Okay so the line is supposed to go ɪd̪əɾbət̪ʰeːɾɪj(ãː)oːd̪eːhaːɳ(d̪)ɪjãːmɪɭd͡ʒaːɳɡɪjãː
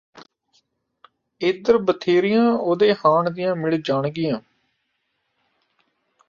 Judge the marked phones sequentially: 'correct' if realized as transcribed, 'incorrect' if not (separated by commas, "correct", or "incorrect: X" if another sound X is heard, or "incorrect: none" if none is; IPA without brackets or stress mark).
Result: correct, correct